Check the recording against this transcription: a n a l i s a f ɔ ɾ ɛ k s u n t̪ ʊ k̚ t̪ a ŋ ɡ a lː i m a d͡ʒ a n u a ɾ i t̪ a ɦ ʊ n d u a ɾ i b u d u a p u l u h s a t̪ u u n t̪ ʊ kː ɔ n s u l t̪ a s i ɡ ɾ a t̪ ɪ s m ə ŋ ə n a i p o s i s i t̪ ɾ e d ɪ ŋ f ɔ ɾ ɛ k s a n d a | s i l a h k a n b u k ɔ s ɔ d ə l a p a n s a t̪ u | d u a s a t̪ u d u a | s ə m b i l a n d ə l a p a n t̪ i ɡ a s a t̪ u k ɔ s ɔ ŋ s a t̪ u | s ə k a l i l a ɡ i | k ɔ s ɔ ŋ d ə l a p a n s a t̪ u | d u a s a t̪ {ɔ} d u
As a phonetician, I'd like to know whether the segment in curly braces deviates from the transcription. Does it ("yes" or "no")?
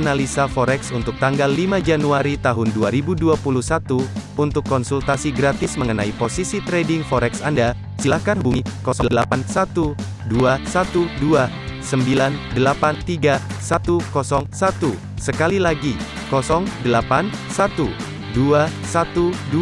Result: yes